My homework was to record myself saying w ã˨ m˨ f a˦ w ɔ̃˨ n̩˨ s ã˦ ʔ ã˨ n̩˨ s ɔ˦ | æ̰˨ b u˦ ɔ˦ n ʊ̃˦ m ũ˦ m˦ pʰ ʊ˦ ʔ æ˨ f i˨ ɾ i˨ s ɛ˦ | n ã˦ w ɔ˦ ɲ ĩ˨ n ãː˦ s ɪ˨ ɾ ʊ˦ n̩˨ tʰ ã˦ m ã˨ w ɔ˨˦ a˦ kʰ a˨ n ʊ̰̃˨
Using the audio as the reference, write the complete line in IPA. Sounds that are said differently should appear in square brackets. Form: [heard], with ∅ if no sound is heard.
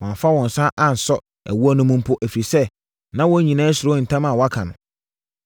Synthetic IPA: w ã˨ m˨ f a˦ w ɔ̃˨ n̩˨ s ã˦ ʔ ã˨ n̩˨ s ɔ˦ | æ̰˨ [w] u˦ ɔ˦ n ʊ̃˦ m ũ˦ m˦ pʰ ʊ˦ ʔ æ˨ f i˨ ɾ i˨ s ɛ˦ | n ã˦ w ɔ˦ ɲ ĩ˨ n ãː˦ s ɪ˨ ɾ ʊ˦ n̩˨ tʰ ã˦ m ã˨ w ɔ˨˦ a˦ kʰ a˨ n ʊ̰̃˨